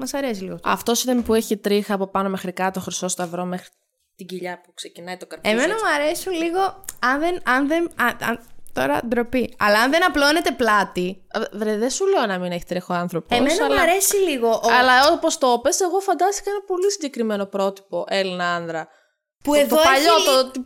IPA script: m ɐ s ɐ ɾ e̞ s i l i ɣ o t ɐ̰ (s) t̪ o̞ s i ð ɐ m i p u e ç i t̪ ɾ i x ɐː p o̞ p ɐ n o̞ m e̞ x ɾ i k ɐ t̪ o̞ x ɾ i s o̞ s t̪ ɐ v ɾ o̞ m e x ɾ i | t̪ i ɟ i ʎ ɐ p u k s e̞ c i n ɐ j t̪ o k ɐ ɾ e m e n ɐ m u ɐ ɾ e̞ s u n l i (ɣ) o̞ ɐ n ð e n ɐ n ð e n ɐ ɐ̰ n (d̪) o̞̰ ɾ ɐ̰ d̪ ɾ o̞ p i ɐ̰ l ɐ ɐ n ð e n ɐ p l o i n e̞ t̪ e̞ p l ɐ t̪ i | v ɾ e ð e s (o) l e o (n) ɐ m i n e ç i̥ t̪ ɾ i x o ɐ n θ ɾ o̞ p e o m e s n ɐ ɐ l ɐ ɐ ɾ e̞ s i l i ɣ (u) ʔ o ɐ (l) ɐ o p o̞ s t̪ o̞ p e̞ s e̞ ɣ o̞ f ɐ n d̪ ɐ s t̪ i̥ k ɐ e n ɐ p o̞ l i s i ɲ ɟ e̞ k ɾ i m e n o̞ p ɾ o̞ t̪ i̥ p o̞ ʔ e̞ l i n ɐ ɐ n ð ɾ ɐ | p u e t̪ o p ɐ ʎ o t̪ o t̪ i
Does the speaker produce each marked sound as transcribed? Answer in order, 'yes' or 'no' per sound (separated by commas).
no, yes, no, no, yes, no, yes